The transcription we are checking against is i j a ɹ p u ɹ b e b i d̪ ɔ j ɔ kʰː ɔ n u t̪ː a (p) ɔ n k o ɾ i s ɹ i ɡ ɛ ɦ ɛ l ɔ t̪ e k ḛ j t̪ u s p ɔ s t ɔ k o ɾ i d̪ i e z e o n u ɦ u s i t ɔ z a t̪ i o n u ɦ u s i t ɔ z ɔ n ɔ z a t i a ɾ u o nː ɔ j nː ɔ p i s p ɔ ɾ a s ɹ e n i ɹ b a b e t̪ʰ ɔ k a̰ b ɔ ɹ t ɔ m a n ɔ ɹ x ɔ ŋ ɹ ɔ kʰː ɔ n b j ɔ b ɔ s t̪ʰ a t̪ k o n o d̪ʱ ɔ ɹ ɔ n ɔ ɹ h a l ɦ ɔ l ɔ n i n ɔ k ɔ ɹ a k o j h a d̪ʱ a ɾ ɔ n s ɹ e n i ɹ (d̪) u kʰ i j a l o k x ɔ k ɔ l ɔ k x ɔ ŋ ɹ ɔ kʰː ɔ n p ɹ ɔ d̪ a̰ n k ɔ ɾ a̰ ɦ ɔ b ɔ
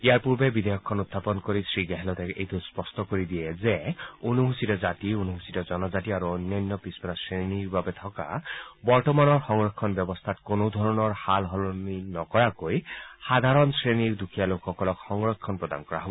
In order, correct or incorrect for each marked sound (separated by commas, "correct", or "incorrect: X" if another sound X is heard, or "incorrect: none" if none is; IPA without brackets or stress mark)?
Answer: correct, correct